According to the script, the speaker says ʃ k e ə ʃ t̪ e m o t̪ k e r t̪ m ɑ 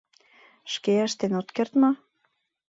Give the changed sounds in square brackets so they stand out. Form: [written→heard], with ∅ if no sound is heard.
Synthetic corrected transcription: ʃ k e ə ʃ t̪ e [m→n] o t̪ k e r t̪ m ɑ